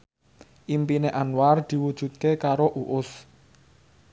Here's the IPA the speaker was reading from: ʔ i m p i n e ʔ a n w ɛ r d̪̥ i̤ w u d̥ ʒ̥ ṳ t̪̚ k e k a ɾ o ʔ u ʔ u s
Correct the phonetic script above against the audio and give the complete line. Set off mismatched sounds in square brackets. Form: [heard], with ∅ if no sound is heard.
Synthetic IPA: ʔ i m p i n e ʔ a n w [a] r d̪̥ i̤ w u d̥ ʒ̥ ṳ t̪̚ k e k a ɾ o ʔ u ʔ [ʊ] s